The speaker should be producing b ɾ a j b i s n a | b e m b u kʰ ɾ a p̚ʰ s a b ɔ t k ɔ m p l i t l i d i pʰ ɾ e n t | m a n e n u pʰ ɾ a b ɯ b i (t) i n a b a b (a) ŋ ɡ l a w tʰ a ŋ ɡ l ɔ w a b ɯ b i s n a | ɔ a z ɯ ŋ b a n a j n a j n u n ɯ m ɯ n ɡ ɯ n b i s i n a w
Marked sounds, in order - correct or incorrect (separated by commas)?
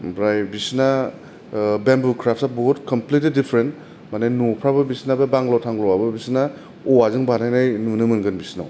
incorrect, correct